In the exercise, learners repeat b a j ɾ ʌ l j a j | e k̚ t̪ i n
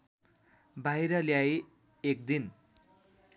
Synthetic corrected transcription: b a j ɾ ʌ l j a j | e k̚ d̪ i n